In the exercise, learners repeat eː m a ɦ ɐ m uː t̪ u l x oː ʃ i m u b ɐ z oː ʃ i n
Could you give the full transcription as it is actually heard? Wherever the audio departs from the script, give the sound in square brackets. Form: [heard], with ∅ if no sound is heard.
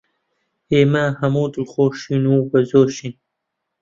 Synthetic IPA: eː m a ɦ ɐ m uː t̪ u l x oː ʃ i [n] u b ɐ z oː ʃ i n

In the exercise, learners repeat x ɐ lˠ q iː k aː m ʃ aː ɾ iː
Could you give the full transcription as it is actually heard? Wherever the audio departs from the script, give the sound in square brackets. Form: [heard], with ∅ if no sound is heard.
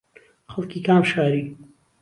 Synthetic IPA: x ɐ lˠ [k] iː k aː m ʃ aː ɾ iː

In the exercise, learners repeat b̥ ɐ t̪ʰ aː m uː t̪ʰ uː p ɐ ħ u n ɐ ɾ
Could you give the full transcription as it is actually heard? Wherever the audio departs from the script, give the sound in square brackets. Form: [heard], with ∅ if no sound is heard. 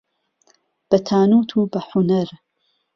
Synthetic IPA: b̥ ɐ t̪ʰ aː [n] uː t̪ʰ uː [b] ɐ ħ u n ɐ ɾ

